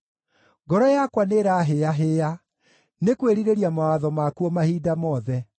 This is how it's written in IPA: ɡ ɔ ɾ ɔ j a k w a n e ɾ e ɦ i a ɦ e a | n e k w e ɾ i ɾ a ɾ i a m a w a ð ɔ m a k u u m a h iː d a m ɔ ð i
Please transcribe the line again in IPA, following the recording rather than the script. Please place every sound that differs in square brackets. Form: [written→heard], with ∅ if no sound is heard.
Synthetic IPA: ɡ ɔ ɾ ɔ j a k w a n e ɾ [e→a] ɦ [i→e] a ɦ e a | n e k w e ɾ i ɾ [a→e] ɾ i a m a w a ð ɔ m a k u [u→ɔ] m a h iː d a m ɔ ð [i→ɛ]

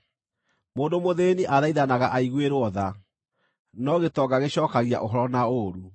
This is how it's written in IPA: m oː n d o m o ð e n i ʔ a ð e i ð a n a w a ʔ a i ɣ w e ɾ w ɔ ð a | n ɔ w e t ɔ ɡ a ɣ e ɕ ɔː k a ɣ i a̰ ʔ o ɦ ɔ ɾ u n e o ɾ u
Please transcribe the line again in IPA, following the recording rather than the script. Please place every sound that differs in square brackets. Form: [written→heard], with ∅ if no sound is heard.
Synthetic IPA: m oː n d o m o ð e n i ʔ a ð [e→a] i ð a n a [w→ɣ] a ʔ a i ɣ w e ɾ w ɔ ð a | n ɔ [w→ɣ] e t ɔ ɡ a ɣ e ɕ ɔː k a ɣ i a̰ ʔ o ɦ ɔ ɾ [u→ɔ] n [e→a] o ɾ u

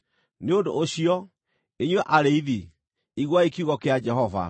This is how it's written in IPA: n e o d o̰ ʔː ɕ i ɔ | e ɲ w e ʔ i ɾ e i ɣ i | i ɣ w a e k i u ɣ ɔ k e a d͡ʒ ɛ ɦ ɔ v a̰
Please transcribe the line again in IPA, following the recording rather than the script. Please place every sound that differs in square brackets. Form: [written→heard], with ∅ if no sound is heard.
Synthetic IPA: n e o d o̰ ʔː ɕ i ɔ | e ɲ w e ʔ [i→a] ɾ e i [ɣ→ð] i | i ɣ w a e k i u ɣ ɔ k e a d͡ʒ ɛ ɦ ɔ v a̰

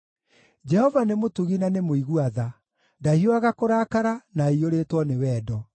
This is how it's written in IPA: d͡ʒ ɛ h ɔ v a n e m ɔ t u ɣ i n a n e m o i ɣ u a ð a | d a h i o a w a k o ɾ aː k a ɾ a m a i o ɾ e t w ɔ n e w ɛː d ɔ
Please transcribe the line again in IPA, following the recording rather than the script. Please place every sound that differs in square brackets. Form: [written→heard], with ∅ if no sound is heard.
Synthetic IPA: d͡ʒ ɛ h ɔ v a n e m [ɔ→o] t u ɣ i n a n e m o i ɣ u a ð a | d a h i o a [w→ɣ] a k o ɾ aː k a ɾ a [m→n] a i o ɾ e t w ɔ n e w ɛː d ɔ

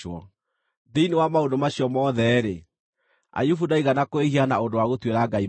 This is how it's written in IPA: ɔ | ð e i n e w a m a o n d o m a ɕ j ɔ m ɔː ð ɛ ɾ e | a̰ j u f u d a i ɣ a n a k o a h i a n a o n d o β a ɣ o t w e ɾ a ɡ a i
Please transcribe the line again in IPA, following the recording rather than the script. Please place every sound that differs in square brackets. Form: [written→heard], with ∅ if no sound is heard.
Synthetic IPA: ɔ | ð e i n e w a m a o n d o m a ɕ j ɔ m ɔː ð ɛ ɾ e | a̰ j u f u d a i ɣ a n a k o [a→e] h i a n a o n d o [β→w] a ɣ o t w e ɾ a ɡ a i

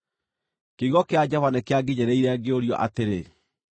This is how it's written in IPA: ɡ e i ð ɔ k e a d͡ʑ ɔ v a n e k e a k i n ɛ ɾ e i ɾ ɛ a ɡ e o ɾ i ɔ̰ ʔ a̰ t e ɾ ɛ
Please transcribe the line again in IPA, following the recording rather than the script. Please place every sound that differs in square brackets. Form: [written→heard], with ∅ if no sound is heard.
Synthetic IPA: [ɡ→k] e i [ð→ɣ] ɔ k e a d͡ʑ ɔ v a n e k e a [k→ɡ] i [n→ɲ] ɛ ɾ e i ɾ ɛ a ɡ e o ɾ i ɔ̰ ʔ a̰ t e ɾ [ɛ→e]

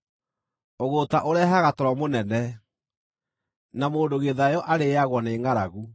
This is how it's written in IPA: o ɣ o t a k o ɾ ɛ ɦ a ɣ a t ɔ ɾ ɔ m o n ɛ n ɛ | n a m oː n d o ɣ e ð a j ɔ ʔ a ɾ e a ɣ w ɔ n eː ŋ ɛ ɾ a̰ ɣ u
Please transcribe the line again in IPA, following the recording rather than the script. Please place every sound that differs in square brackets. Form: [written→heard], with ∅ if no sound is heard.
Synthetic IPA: o ɣ o t a [k→ʔ] o ɾ ɛ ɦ a ɣ a t ɔ ɾ ɔ m o n ɛ n ɛ | n a m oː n d o ɣ e ð a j ɔ ʔ a ɾ e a ɣ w ɔ n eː ŋ [ɛ→a] ɾ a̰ ɣ u

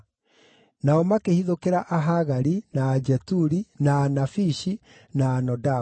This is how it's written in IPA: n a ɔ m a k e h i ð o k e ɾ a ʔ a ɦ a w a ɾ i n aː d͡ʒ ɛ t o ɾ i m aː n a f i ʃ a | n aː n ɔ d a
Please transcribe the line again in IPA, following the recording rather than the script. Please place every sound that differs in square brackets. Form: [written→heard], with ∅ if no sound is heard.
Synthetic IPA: n a ɔ m a k e h i ð o k e ɾ a ʔ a ɦ a [w→ɣ] a ɾ i n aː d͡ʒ ɛ t [o→u] ɾ i [m→n] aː n a f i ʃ [a→i] | n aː n ɔ d a

